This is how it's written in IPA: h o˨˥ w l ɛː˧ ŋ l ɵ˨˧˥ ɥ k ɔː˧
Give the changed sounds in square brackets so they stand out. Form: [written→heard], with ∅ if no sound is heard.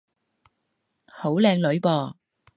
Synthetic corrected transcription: h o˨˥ w l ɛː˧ ŋ l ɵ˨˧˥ ɥ [k→p] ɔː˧